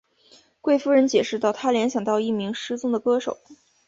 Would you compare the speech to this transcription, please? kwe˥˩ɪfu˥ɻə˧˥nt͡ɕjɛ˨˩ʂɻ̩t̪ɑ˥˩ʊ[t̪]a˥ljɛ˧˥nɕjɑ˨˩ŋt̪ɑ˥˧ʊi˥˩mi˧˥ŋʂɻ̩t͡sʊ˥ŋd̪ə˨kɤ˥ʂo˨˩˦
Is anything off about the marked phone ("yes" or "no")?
yes